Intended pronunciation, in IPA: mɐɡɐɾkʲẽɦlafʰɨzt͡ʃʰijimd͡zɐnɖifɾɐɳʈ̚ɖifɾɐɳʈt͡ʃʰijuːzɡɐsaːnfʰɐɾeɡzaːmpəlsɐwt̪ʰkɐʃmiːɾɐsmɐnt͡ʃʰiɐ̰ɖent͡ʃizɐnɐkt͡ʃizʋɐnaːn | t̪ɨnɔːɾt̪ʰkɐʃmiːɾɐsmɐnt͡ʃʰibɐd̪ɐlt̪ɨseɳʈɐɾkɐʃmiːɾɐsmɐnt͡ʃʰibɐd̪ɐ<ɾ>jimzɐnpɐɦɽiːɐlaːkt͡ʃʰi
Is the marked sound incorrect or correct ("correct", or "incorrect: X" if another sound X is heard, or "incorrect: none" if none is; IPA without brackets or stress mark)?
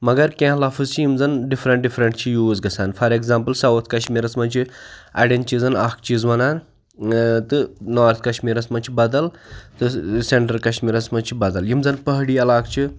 incorrect: l